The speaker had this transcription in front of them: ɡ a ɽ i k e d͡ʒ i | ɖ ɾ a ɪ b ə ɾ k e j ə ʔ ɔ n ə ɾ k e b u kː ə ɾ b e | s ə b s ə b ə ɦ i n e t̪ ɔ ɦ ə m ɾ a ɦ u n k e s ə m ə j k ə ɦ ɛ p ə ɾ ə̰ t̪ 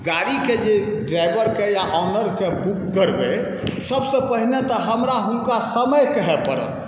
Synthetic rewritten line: ɡ a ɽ i k e d͡ʒ e | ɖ ɾ a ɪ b ə ɾ k e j a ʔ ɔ n ə ɾ k e b u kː ə ɾ b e | s ə b s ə p ə ɦ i n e t̪ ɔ ɦ ə m ɾ a ɦ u n k a s ə m ə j k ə ɦ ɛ p ə ɾ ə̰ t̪